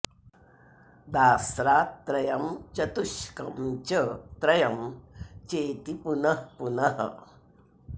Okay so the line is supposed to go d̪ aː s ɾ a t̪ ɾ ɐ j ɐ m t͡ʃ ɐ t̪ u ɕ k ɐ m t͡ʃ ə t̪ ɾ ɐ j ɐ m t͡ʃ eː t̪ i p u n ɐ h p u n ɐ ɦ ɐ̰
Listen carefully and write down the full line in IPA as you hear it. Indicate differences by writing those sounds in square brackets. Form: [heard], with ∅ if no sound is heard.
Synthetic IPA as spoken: d̪ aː s ɾ a t̪ ɾ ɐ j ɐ m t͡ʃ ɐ t̪ u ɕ k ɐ m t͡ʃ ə t̪ ɾ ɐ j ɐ m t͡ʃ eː t̪ i p u n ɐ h p u n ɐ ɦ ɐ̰